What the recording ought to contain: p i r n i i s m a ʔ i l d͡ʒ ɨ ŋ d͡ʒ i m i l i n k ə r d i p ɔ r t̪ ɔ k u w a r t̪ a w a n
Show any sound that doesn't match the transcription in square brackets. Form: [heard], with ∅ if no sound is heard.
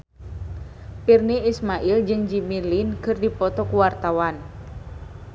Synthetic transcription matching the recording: p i r n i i s m a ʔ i l d͡ʒ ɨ ŋ d͡ʒ i m i l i n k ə r d i p ɔ [∅] t̪ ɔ k u w a r t̪ a w a n